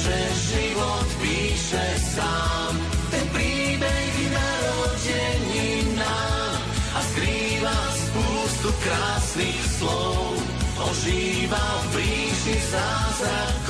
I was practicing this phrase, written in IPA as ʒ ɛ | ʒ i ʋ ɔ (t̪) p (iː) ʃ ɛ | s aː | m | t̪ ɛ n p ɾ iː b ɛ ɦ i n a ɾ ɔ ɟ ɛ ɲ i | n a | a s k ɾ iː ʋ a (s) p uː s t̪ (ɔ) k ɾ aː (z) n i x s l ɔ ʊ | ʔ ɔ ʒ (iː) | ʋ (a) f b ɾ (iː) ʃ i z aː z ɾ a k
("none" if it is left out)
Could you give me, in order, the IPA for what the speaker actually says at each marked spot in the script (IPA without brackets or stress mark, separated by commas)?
t̪, iː, s, u, s, iː, a, iː